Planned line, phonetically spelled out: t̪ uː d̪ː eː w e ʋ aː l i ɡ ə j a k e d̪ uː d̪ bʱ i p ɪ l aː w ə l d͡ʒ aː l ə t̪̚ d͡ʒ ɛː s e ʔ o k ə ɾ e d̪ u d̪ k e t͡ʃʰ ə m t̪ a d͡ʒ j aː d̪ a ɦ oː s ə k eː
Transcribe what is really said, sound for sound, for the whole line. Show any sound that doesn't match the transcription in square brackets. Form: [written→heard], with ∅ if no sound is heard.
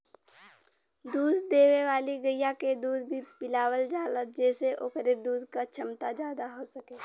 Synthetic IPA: [t̪→d̪] uː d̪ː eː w e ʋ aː l i ɡ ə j a k e d̪ uː d̪ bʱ i p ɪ l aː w ə l d͡ʒ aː l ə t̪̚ d͡ʒ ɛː s e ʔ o k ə ɾ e d̪ [u→uː] d̪ k [e→a] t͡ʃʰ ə m t̪ a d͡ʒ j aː d̪ a ɦ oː s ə k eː

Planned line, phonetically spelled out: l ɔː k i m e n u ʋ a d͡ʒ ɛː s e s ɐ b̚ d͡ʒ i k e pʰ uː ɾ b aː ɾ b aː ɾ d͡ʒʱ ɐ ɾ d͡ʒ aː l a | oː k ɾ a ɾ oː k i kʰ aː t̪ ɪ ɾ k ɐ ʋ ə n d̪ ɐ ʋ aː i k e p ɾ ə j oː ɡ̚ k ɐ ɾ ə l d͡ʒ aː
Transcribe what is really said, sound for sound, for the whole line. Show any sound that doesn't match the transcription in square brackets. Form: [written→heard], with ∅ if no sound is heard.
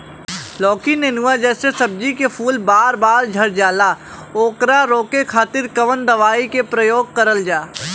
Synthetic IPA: l ɔː k i [m→n] e n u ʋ a d͡ʒ ɛː s e s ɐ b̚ d͡ʒ i k e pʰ uː [ɾ→l] b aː ɾ b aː ɾ d͡ʒʱ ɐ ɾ d͡ʒ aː l a | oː k ɾ a ɾ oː k [i→e] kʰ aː t̪ ɪ ɾ k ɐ ʋ ə n d̪ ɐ ʋ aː i k e p ɾ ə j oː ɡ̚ k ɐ ɾ ə l d͡ʒ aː

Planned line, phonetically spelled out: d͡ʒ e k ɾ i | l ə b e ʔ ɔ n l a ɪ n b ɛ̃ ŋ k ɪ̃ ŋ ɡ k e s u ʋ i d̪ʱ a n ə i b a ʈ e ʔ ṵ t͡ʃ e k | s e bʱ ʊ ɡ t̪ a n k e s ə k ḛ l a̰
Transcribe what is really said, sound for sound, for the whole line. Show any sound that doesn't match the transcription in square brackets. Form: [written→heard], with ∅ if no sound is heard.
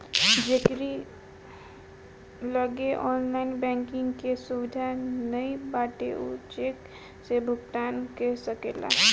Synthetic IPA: d͡ʒ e k ɾ i | l ə [b→ɡ] e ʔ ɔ n l a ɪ n b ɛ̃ ŋ k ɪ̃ ŋ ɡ k e s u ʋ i d̪ʱ a n ə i b a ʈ e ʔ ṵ t͡ʃ e k | s e bʱ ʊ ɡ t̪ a n k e s ə k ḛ l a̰

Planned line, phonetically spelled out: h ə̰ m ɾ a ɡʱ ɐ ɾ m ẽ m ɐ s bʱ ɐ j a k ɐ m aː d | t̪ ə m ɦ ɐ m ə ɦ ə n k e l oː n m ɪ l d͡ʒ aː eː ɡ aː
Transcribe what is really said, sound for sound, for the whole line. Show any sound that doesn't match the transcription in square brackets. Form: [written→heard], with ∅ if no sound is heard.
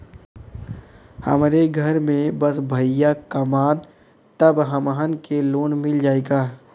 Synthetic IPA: h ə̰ m ɾ [a→e] ɡʱ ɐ ɾ m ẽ [m→b] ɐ s bʱ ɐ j a k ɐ m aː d | t̪ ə [m→b] ɦ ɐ m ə ɦ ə n k e l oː n m ɪ l d͡ʒ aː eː ɡ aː

